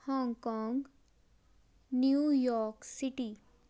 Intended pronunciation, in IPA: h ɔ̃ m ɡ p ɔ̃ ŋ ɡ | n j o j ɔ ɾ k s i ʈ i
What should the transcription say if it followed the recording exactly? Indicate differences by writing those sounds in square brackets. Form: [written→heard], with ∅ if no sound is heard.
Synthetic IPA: h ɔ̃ [m→ŋ] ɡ [p→k] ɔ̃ ŋ ɡ | n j [o→u] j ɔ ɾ k s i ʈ i